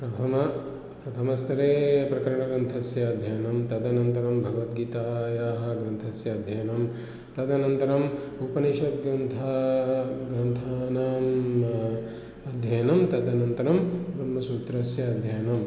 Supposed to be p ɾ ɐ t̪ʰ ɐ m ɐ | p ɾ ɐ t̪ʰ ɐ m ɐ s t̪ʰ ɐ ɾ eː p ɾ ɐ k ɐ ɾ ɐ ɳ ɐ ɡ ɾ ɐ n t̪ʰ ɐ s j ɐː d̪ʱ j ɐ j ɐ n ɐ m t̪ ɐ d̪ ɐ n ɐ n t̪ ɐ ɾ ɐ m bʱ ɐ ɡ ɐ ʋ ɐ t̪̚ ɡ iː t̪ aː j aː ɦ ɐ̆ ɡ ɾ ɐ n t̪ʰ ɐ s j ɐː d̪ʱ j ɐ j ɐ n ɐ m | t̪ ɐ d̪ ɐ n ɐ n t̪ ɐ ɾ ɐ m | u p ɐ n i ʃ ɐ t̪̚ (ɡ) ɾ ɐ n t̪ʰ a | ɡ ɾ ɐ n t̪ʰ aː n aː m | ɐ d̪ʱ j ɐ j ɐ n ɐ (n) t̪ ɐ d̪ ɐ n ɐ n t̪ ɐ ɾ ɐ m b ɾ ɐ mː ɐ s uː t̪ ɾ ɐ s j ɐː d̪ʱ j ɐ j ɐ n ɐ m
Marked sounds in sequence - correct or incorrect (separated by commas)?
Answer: correct, incorrect